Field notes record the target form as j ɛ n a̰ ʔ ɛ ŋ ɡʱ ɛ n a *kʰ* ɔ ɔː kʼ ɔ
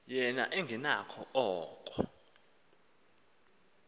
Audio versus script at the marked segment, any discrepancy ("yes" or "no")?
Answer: no